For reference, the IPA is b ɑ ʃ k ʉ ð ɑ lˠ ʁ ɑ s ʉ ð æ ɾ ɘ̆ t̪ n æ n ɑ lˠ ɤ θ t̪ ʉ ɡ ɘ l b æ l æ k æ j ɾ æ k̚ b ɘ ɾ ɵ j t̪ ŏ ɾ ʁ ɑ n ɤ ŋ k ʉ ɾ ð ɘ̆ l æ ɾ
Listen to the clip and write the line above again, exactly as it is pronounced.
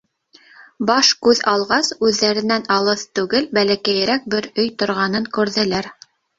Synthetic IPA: b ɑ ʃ k ʉ ð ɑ lˠ ʁ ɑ s ʉ ðː æ ɾ ɘ̆ n æ n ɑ lˠ ɤ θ t̪ ʉ ɡ ɘ l b æ l æ k æ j ɾ æ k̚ b ɘ ɾ ɵ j t̪ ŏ ɾ ʁ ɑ n ɤ ŋ k ʉ ɾ ð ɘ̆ l æ ɾ